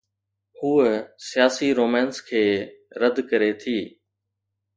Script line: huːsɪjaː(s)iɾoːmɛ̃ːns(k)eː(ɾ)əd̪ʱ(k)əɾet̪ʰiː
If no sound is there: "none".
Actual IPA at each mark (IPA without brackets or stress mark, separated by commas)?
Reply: s, kʰ, ɾ, k